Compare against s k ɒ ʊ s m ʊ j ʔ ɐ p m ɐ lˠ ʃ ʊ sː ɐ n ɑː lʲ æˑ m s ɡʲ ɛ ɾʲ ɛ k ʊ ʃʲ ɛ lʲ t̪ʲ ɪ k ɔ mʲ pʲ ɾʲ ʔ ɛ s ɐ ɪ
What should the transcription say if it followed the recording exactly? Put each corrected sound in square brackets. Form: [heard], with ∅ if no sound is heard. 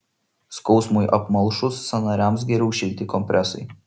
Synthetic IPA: s k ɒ ʊ s m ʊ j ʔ ɐ p m ɐ lˠ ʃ ʊ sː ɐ n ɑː [ɾʲ] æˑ m s ɡʲ ɛ ɾʲ ɛ [∅] ʊ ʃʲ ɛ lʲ t̪ʲ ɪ k ɔ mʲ pʲ ɾʲ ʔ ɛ s ɐ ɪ